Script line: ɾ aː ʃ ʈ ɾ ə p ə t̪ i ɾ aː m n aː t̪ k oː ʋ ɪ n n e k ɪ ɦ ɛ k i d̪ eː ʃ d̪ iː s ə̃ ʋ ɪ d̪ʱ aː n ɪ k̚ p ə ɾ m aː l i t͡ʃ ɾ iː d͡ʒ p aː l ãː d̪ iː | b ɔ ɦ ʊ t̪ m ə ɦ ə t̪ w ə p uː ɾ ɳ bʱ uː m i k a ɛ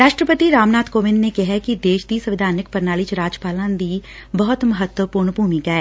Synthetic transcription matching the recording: ɾ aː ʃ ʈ ɾ ə p ə t̪ i ɾ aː m n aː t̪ k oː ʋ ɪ n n e k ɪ ɦ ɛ k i d̪ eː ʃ d̪ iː s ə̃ ʋ ɪ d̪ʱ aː n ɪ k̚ p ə ɾ n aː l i t͡ʃ ɾ aː d͡ʒ p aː l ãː d̪ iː | b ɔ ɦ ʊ t̪ m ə ɦ ə t̪ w ə p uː ɾ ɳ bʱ uː m i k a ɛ